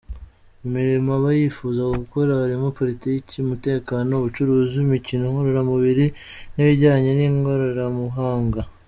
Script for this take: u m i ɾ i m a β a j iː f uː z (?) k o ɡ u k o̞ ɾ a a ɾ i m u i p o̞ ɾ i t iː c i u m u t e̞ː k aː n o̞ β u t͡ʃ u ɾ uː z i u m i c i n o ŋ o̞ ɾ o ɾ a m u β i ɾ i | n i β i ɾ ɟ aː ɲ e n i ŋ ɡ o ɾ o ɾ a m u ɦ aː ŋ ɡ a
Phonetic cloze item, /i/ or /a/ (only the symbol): a